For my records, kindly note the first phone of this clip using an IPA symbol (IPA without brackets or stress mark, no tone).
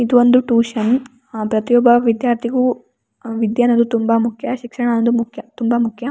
i